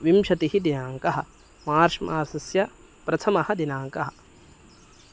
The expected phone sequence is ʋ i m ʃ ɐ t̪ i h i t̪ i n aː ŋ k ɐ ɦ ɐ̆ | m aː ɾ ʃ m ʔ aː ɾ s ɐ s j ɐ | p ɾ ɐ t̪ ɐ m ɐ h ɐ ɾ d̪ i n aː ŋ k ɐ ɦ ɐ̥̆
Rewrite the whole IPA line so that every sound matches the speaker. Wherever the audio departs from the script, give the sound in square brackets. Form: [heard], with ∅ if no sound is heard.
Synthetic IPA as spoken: ʋ i m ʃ ɐ t̪ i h i [d̪] i n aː ŋ k ɐ ɦ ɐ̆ | m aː ɾ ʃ m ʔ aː ɾ s ɐ s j ɐ | p ɾ ɐ [t̪ʰ] ɐ m ɐ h ɐ [∅] d̪ i n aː ŋ k ɐ ɦ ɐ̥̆